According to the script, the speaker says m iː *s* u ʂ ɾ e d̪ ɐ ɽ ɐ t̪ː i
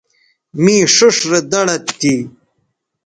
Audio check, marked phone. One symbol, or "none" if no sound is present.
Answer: ʂ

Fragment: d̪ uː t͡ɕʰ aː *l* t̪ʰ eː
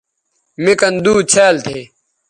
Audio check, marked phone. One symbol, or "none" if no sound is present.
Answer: l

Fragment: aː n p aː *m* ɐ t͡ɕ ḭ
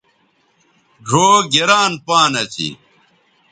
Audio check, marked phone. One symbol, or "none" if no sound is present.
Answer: n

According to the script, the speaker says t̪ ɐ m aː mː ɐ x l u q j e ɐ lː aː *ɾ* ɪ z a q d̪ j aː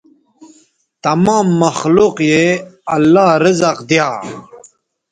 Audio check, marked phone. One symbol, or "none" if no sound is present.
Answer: ɾ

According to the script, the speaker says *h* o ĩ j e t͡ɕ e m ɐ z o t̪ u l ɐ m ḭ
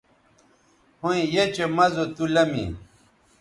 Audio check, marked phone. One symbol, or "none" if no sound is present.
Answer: h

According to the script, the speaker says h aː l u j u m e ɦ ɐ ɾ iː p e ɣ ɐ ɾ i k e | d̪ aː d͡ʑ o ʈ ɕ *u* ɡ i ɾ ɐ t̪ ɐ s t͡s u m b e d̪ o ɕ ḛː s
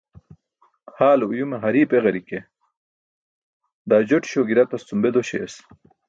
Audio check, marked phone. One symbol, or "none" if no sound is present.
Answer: o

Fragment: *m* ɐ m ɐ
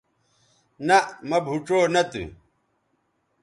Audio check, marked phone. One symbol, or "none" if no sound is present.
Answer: n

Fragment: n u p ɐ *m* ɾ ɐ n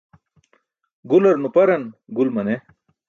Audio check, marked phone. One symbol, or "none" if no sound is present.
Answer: none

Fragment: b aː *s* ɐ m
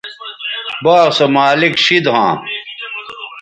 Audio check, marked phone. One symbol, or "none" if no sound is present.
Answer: s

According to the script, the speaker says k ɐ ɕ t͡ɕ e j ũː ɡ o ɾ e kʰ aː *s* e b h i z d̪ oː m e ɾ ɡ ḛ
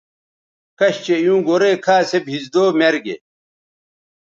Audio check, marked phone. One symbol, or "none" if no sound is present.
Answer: s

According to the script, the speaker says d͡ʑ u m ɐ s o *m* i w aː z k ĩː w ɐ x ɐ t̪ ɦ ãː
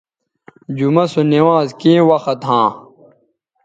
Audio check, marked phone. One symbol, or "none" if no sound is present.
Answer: n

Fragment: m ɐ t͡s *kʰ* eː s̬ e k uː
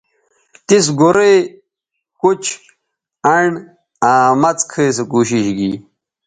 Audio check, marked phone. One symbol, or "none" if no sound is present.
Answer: kʰ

